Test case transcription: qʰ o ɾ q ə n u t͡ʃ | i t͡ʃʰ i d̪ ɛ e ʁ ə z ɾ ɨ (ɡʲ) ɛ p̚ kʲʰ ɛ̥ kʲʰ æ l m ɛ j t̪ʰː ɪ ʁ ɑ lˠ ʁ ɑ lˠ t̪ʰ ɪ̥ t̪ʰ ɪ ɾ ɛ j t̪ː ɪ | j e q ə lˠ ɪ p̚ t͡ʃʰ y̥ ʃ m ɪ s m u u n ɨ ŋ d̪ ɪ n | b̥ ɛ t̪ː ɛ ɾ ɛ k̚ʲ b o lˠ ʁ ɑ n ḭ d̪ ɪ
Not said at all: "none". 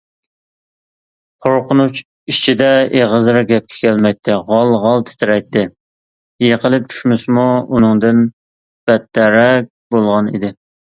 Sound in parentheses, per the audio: ɡʲ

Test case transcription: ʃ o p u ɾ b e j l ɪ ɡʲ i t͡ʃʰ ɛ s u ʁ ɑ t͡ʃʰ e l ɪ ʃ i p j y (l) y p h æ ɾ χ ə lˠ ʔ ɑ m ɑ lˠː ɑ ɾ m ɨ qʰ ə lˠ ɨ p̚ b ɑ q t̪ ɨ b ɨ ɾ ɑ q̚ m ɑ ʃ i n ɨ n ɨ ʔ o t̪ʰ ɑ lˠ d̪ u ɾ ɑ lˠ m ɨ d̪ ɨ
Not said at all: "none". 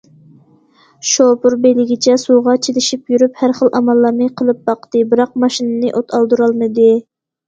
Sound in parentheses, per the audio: ɾ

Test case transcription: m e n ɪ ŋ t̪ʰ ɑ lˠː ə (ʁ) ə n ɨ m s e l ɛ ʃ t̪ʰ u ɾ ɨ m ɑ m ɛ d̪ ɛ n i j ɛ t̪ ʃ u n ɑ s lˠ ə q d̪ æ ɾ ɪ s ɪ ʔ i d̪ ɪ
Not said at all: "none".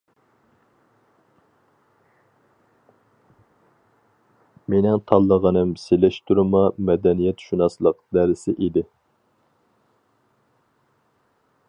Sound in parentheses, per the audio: ʁ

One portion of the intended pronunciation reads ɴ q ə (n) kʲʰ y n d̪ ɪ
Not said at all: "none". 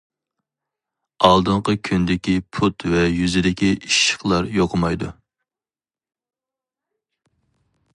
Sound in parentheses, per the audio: none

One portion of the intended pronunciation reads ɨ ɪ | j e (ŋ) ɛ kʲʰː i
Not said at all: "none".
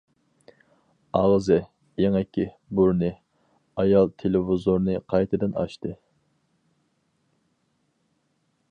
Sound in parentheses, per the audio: ŋ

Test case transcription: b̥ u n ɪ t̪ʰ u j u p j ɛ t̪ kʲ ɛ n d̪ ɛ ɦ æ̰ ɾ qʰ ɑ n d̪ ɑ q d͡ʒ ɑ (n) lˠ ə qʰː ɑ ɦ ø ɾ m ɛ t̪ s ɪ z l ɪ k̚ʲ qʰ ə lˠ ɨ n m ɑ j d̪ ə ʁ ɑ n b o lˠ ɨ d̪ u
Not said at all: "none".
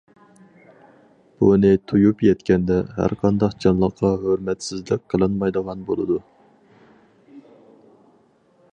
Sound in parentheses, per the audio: n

